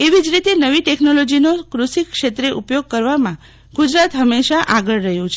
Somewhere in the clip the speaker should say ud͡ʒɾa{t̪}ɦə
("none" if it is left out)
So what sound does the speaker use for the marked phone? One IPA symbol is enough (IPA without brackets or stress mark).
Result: t̪